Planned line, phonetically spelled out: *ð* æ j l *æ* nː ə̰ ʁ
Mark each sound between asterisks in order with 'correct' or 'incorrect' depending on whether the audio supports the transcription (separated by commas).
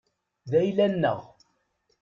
correct, correct